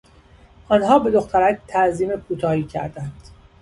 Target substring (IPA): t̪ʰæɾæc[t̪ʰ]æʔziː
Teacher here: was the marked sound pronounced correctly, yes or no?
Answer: yes